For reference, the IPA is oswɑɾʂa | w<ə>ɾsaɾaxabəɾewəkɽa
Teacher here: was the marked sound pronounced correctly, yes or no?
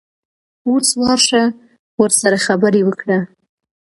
yes